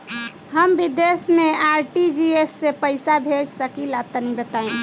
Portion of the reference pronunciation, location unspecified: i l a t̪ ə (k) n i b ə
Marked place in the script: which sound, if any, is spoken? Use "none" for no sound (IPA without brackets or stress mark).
none